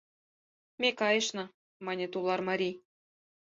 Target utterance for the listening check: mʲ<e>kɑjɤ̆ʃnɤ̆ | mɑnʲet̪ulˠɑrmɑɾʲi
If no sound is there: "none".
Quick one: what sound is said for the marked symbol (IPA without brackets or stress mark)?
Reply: e